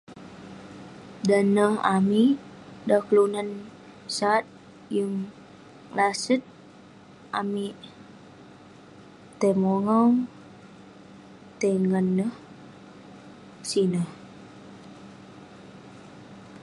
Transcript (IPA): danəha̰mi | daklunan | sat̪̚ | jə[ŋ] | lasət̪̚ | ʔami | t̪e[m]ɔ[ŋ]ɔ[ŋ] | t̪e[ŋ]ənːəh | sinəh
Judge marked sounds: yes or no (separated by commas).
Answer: yes, yes, yes, yes, yes